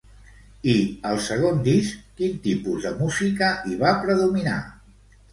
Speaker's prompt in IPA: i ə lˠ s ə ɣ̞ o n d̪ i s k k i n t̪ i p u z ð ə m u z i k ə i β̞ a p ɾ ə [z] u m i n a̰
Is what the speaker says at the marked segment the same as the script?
no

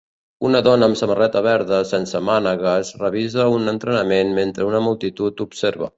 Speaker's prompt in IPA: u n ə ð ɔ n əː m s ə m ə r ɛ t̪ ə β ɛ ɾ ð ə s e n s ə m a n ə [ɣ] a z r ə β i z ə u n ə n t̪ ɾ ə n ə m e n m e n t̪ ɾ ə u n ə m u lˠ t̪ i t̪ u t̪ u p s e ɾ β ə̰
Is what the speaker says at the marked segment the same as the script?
yes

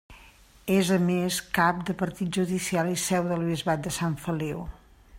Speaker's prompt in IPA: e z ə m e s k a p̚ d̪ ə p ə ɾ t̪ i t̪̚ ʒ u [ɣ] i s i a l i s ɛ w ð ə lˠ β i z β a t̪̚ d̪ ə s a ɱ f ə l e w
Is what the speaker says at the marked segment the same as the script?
no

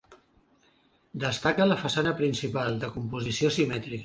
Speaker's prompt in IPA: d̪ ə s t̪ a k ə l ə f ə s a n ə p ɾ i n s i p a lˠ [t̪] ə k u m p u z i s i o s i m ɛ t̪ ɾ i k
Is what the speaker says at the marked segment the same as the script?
no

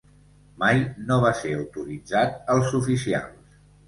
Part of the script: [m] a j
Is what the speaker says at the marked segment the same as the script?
yes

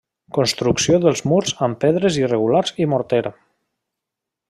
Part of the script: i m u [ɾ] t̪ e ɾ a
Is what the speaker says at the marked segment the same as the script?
yes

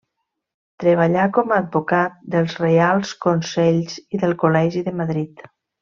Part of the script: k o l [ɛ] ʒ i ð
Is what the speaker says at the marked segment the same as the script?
yes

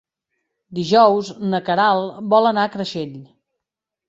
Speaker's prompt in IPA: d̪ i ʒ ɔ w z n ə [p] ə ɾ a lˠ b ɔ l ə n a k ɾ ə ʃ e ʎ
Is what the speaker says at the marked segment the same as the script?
no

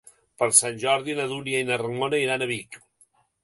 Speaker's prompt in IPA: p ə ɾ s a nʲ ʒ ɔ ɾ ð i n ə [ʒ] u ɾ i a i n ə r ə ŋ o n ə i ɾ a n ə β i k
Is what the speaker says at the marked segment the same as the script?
no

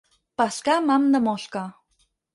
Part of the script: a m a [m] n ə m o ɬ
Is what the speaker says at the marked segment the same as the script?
yes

